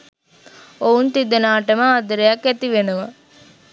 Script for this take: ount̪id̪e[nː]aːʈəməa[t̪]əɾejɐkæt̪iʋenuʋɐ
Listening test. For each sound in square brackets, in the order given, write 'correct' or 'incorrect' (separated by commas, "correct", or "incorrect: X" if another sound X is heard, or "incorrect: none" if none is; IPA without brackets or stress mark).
incorrect: n, incorrect: d̪